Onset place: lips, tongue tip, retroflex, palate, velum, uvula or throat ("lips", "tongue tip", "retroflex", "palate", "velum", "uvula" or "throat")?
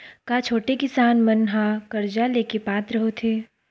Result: velum